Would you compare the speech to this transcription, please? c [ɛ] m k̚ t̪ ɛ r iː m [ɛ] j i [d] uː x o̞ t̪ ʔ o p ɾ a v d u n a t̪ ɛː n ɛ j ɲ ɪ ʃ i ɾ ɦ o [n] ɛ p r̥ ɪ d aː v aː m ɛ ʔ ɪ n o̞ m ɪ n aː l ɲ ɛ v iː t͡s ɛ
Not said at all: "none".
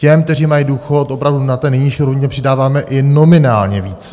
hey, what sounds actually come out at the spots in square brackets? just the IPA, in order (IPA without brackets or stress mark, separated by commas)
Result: ɛ, a, d, ɲ